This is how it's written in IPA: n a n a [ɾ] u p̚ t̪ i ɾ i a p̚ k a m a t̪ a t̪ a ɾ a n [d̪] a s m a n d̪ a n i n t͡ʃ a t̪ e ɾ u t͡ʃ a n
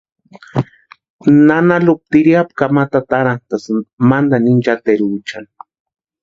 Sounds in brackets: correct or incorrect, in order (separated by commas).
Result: incorrect, incorrect